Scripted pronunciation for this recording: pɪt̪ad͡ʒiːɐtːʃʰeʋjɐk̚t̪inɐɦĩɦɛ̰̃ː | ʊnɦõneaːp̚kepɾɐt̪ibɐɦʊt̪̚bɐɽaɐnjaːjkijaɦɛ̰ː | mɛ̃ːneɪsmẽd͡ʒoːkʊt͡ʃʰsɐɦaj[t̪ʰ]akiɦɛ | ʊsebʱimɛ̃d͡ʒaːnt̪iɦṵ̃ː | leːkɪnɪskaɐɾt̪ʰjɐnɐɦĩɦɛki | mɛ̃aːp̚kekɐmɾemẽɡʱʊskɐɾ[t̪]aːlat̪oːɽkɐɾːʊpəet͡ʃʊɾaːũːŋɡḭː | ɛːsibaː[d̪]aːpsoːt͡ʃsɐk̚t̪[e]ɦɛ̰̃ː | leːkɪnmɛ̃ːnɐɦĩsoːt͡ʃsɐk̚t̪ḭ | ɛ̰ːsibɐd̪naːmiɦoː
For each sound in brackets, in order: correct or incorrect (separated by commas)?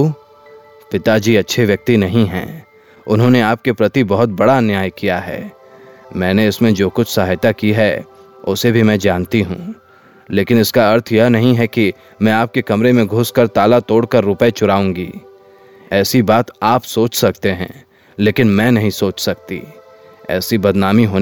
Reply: incorrect, correct, incorrect, correct